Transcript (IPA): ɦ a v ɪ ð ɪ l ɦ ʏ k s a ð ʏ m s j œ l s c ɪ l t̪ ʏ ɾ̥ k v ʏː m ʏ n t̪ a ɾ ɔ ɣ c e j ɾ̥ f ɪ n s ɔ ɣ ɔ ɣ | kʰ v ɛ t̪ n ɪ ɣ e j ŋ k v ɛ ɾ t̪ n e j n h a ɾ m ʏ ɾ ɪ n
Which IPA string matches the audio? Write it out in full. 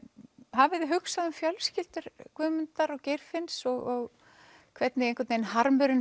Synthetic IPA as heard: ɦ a v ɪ ð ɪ ɦ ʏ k s a ð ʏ m f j œ l s c ɪ l t̪ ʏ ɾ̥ k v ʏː m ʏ n t̪ a ɾ ɔ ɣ c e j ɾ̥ f ɪ n s ɔ ɣ ɔ ɣ | kʰ v ɛ t̪ n ɪ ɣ e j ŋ k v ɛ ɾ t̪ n e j n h a ɾ m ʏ ɾ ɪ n